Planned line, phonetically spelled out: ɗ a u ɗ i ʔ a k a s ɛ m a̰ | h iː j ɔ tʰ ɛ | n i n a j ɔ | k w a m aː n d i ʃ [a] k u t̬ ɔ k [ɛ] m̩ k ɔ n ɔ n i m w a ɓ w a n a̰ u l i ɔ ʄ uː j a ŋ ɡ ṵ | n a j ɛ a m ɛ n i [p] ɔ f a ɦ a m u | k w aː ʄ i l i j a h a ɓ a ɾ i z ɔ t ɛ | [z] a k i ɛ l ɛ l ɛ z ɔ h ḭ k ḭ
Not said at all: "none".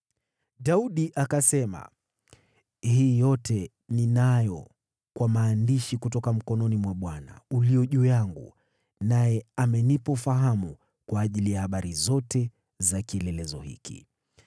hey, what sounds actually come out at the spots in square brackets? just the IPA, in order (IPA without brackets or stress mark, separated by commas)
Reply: i, a, p, z